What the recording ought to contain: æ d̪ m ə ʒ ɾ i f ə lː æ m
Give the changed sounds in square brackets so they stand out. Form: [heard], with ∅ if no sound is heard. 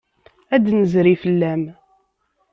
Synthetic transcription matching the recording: æ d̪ [n] ə [z] ɾ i f ə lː æ m